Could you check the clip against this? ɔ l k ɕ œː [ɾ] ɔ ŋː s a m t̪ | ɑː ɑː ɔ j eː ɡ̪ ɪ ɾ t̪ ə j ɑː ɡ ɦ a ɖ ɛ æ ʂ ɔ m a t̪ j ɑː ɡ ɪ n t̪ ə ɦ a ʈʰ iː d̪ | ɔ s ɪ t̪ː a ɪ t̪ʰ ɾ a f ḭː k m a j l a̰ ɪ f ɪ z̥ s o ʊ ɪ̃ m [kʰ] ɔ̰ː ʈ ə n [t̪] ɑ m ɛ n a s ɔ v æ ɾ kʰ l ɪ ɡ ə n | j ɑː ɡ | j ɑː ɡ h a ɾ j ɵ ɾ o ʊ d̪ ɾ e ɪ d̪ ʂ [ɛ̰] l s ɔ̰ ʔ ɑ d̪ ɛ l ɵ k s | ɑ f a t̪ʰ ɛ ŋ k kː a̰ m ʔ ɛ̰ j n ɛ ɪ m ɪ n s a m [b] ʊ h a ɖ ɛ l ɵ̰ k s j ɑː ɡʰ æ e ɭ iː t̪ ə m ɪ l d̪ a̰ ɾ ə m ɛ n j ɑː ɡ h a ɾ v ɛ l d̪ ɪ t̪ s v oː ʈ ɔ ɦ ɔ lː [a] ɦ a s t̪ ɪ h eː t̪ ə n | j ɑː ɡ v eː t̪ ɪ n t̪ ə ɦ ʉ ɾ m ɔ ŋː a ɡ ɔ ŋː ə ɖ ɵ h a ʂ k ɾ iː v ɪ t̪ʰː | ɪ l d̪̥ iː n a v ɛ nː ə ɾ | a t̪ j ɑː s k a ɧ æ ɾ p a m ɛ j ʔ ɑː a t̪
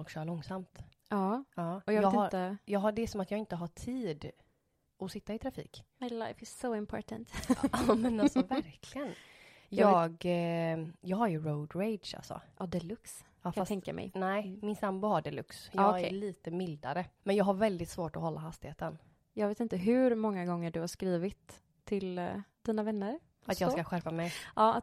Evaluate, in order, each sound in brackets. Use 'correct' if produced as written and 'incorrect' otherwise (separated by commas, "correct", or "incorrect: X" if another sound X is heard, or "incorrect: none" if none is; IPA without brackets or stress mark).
incorrect: ɭ, incorrect: pʰ, correct, incorrect: a̰, correct, correct